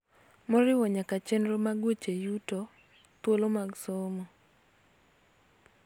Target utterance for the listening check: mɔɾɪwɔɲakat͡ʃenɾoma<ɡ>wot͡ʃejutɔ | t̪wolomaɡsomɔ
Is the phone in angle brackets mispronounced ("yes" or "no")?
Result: no